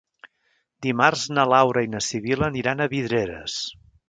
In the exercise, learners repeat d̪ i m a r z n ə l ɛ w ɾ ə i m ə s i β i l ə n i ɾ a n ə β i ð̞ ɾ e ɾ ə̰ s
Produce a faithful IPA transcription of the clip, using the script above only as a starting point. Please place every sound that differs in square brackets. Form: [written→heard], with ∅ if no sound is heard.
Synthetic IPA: d̪ i m a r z n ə l [ɛ→a] w ɾ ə i [m→n] ə s i β i l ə n i ɾ a n ə β i ð̞ ɾ e ɾ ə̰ s

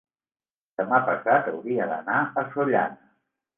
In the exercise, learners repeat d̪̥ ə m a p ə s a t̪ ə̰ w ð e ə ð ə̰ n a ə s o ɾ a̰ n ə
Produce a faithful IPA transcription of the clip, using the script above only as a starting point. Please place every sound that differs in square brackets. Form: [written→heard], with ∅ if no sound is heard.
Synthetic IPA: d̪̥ ə m a p ə s a t̪ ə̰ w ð [e→i] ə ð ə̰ n a ə s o [ɾ→ʎ] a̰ n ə

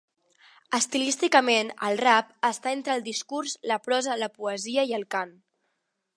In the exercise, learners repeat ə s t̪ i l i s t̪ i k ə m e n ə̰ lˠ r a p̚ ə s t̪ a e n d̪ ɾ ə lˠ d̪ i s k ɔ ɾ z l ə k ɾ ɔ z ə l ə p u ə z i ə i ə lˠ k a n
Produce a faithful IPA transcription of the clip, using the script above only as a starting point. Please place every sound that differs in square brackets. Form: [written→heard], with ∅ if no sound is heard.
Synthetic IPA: ə s t̪ i l i s t̪ i k ə m e n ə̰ lˠ r a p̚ ə s t̪ a e n [d̪→t̪] ɾ ə lˠ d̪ i s k [ɔ→u] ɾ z l ə [k→p] ɾ ɔ z ə l ə p u ə z i ə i ə lˠ k a n

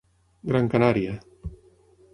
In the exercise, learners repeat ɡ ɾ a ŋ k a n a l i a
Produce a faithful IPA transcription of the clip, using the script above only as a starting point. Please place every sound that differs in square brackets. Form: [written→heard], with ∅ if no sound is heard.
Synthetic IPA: ɡ ɾ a ŋ k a n a [l→ɾ] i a

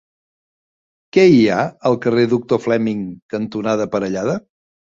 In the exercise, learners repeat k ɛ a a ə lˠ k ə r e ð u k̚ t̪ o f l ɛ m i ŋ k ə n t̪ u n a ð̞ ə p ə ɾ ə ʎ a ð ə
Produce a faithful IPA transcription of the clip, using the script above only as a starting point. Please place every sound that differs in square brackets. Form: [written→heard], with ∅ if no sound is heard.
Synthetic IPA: k ɛ [a→i] a ə lˠ k ə r e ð u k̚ t̪ o f l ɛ m i ŋ k ə n t̪ u n a ð̞ ə p ə ɾ ə ʎ a ð ə

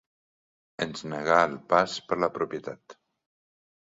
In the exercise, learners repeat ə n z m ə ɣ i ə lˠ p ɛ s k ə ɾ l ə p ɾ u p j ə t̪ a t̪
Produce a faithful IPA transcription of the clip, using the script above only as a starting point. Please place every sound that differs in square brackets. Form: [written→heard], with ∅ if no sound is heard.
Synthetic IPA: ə n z [m→n] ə ɣ [i→a] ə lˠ p [ɛ→a] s [k→p] ə ɾ l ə p ɾ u p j ə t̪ a t̪

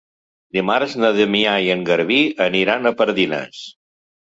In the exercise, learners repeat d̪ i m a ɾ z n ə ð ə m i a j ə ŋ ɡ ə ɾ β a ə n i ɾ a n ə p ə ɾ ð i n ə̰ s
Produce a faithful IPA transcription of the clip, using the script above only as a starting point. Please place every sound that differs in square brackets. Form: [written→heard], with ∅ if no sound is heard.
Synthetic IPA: d̪ i m a ɾ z n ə ð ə m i a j ə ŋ ɡ ə ɾ β [a→i] ə n i ɾ a n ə p ə ɾ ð i n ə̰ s

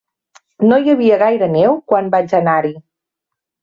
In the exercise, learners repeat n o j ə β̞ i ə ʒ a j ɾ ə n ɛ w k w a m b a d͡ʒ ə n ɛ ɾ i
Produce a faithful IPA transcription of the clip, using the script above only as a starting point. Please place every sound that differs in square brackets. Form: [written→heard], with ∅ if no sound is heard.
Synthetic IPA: n o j ə β̞ i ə [ʒ→ɣ] a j ɾ ə n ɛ w k w a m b a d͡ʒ ə n [ɛ→a] ɾ i

